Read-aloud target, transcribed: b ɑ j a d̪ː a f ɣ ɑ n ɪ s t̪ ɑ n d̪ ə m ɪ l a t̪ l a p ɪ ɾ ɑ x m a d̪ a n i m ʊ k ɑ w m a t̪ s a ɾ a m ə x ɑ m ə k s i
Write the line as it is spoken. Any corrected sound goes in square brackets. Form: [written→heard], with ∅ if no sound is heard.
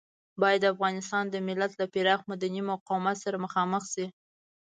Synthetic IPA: b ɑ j a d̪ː a f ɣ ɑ n ɪ s t̪ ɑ n d̪ ə m ɪ l a t̪ l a p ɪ ɾ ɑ x m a d̪ a n i m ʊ [k→q] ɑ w m a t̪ s a ɾ a m ə x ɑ m ə [k→x] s i